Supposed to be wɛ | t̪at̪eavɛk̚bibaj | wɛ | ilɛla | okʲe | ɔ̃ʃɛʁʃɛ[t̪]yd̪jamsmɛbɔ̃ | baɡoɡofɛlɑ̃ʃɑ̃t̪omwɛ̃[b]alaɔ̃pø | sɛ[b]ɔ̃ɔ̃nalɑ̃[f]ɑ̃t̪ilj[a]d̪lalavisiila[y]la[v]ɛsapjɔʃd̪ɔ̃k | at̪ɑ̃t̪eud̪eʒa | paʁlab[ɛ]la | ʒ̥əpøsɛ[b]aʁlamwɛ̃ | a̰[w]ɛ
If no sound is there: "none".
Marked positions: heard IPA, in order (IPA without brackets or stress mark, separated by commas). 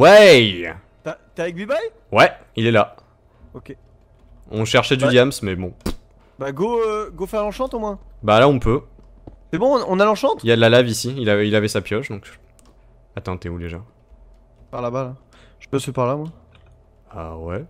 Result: d̪, b, b, ʃ, a, i, v, a, p, w